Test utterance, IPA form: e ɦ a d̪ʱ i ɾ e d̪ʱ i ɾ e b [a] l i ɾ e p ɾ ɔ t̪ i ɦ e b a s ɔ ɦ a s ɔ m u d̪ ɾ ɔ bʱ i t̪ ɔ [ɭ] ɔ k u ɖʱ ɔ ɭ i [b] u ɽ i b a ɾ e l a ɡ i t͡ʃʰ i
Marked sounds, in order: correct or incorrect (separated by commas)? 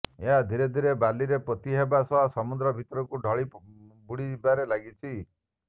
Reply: correct, incorrect, correct